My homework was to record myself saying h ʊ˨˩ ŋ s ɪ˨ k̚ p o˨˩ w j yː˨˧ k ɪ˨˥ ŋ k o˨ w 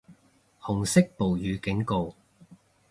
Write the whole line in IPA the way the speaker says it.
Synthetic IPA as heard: h ʊ˨˩ ŋ s ɪ˥ k̚ p o˨˩ w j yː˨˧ k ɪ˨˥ ŋ k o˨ w